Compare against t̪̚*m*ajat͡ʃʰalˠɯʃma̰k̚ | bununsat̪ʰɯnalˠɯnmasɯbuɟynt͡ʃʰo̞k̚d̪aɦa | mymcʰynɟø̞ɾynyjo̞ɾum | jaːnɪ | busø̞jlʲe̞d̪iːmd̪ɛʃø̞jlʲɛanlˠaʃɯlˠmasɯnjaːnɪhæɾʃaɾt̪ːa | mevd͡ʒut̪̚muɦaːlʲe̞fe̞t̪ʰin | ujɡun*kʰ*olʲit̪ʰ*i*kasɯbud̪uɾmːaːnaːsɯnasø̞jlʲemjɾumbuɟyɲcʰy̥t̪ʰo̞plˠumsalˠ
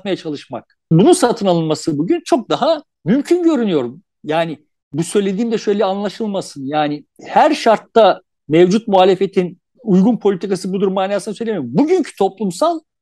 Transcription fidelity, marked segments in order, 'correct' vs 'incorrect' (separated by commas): correct, incorrect, correct